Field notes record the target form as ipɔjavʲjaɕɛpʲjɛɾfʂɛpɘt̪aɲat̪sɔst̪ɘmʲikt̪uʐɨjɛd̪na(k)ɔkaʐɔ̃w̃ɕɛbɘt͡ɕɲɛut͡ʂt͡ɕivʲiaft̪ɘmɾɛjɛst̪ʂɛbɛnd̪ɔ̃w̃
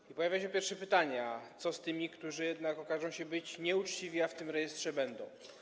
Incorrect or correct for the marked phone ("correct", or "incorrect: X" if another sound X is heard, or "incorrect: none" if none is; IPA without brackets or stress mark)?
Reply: correct